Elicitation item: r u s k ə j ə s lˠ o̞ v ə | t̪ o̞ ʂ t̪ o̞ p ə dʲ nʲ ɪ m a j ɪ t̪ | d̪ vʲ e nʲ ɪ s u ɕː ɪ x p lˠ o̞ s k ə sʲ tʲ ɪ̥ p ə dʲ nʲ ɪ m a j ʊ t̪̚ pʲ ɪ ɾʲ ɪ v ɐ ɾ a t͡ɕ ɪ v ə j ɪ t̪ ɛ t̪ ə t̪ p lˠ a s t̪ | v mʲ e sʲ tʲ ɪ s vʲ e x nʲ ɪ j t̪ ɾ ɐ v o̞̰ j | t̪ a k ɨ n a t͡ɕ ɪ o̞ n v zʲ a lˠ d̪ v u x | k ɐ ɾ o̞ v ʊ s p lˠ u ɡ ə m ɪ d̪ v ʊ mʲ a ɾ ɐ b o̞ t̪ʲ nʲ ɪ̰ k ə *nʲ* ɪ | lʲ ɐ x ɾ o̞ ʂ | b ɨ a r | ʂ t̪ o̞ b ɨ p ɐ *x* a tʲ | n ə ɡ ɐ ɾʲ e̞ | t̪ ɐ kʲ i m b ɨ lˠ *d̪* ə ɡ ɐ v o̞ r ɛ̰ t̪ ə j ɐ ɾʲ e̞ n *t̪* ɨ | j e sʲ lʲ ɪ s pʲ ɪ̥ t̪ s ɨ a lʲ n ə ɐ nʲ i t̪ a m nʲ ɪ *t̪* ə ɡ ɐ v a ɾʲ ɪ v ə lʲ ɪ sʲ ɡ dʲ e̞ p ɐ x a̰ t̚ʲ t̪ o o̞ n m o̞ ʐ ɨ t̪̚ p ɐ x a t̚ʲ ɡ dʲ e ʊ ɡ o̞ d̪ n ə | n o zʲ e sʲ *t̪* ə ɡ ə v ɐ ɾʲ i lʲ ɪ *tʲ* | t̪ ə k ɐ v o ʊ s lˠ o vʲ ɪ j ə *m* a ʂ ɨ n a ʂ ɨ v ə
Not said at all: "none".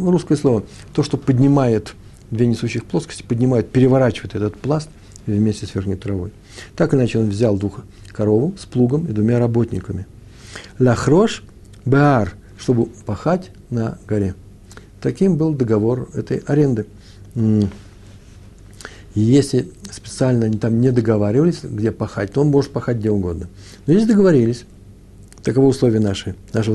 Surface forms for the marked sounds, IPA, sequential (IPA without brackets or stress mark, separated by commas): mʲ, x, d̪, d̪, d̪, d̪, sʲ, n